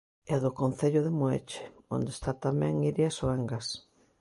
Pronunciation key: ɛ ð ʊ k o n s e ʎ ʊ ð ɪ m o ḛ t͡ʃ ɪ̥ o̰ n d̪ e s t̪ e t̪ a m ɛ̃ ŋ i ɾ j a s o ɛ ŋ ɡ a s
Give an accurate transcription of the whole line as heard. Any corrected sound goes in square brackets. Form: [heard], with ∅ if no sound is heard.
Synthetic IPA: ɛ ð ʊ k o n [θ] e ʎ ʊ ð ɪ m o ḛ t͡ʃ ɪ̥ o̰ n d̪ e s t̪ [a] t̪ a m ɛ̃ ŋ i ɾ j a s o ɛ ŋ ɡ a s